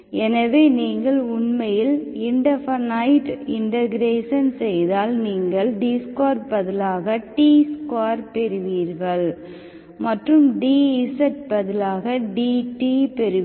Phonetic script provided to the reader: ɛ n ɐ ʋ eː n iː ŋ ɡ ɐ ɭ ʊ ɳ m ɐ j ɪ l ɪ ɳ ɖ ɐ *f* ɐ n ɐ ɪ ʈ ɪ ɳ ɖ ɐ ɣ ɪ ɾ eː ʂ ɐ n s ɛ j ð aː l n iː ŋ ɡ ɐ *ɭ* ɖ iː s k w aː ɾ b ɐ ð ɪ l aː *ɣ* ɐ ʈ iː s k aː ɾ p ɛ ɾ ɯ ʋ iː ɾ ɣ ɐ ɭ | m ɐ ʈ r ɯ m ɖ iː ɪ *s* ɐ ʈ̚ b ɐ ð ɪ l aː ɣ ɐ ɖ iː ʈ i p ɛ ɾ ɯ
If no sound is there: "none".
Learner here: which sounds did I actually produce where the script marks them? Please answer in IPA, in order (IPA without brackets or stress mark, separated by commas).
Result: f, ɭ, ɣ, s